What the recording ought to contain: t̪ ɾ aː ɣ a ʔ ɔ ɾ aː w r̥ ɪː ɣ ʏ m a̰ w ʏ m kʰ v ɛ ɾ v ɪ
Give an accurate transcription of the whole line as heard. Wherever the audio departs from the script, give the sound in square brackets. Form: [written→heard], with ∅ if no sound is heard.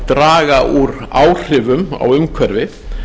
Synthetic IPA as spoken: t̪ ɾ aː ɣ a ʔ [ɔ→u] ɾ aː w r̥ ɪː [ɣ→v] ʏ m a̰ w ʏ m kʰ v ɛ ɾ v ɪ